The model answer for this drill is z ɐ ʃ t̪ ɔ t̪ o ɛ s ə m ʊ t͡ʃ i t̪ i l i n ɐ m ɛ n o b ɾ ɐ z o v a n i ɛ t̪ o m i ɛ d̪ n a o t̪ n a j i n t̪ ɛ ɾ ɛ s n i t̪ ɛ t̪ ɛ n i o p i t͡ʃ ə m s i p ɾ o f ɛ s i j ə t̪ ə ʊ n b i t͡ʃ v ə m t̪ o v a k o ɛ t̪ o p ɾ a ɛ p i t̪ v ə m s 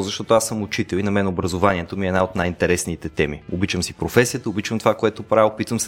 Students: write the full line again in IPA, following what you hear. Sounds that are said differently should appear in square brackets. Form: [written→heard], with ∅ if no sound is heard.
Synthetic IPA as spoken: z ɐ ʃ t̪ ɔ t̪ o [ɛ→a] s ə m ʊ t͡ʃ i t̪ [i→ɛ] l i n ɐ m ɛ n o b ɾ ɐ z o v a n i ɛ t̪ o m i ɛ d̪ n a o t̪ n a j i n t̪ ɛ ɾ ɛ s n i t̪ ɛ t̪ ɛ [n→m] i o [p→b] i t͡ʃ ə m s i p ɾ o f ɛ s i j ə t̪ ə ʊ [n→∅] b i t͡ʃ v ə m t̪ o v a k o ɛ t̪ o p ɾ a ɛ p i t̪ v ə m s